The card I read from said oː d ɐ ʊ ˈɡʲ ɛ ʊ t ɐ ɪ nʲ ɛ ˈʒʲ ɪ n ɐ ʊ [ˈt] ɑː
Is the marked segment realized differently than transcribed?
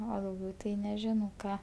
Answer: yes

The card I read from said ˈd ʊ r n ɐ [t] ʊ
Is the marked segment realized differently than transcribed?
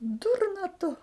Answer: no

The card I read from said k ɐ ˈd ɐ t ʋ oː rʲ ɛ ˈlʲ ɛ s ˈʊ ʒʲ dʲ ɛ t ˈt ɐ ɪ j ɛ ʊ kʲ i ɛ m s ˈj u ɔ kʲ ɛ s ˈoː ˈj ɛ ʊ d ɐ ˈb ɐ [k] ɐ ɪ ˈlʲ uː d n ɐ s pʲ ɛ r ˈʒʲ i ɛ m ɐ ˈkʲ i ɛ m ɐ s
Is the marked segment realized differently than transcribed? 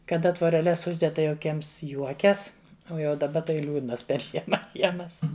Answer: yes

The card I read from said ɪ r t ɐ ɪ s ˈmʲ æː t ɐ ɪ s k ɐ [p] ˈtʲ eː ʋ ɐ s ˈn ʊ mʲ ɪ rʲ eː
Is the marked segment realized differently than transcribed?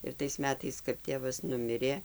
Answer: no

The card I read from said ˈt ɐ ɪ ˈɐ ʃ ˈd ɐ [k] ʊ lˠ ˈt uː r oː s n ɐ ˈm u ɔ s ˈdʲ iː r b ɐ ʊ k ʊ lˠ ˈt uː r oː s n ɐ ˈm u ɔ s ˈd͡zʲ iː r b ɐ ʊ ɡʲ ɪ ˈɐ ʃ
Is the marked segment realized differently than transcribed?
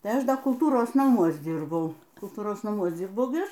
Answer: no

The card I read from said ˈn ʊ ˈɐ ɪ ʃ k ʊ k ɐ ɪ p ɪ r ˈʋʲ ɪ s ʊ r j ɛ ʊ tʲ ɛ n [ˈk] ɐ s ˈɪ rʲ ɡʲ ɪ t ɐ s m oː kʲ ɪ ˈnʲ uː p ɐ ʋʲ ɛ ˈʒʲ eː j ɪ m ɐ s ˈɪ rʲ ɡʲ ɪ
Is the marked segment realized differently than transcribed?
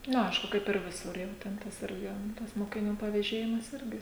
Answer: yes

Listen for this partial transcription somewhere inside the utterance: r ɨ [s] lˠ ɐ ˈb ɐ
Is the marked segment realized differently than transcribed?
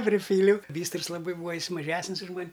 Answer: no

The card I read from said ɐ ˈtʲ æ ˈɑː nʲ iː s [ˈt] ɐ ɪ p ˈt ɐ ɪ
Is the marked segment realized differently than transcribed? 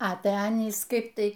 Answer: yes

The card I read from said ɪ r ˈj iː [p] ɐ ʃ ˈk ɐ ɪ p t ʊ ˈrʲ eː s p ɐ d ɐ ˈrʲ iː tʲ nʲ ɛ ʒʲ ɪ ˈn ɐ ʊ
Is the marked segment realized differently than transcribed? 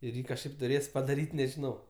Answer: yes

